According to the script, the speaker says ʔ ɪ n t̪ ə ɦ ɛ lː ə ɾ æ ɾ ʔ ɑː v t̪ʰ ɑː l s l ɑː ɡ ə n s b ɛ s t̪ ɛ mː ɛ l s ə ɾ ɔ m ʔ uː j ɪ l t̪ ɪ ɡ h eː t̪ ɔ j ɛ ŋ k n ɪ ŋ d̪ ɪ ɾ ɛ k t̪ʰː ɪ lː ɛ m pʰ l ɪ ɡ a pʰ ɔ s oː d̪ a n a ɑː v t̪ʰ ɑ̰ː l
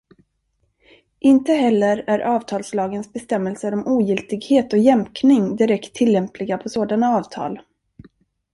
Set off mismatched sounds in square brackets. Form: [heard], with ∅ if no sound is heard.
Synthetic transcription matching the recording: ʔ ɪ n t̪ ə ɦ ɛ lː ə ɾ æ ɾ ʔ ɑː v t̪ʰ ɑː l s l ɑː ɡ ə n s b ɛ s t̪ ɛ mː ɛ l s ə ɾ ɔ m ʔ uː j ɪ l t̪ ɪ ɡ h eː t̪ ɔ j ɛ [m] k n ɪ ŋ d̪ ɪ ɾ ɛ k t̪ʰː ɪ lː ɛ m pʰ l ɪ ɡ a pʰ ɔ s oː d̪ a n a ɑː v t̪ʰ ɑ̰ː l